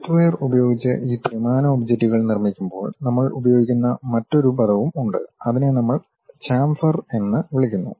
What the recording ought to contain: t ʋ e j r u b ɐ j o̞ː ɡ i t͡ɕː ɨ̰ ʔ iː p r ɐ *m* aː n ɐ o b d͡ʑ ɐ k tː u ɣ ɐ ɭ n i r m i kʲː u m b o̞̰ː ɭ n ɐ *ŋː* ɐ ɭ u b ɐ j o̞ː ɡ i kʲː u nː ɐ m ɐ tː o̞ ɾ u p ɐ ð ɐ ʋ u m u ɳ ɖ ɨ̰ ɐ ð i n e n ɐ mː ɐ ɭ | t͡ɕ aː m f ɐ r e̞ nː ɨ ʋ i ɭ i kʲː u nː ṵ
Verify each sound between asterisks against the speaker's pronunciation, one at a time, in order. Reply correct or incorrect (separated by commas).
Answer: correct, incorrect